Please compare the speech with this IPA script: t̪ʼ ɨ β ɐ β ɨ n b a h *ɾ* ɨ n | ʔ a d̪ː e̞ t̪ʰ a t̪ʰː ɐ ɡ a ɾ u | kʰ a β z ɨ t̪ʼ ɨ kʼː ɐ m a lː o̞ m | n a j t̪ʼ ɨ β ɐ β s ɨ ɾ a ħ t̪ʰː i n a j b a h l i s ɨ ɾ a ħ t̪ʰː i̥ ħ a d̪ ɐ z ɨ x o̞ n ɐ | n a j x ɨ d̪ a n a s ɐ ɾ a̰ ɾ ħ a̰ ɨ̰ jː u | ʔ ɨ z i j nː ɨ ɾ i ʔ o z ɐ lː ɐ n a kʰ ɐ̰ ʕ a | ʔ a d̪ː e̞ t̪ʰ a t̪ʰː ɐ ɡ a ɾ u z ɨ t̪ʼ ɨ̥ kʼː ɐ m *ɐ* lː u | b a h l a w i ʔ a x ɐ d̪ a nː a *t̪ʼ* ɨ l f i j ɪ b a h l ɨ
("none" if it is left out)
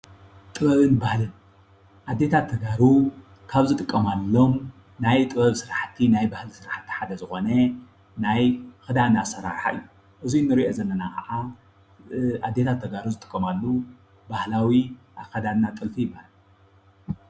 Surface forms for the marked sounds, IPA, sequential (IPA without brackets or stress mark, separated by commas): l, a, t̪ʼ